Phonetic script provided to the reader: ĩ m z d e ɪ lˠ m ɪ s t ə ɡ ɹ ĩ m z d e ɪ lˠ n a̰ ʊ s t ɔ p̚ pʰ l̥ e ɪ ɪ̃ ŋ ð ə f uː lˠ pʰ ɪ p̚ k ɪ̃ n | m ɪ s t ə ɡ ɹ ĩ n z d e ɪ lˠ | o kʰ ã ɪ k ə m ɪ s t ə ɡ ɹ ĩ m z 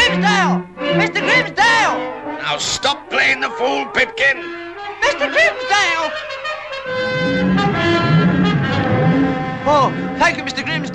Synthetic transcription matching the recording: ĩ m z d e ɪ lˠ m ɪ s t ə ɡ ɹ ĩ m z d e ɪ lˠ n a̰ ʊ s t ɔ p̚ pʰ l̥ e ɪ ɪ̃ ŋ ð ə f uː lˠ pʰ ɪ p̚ k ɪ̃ n | m ɪ s t ə ɡ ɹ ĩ m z d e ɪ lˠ | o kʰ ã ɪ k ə m ɪ s t ə ɡ ɹ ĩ m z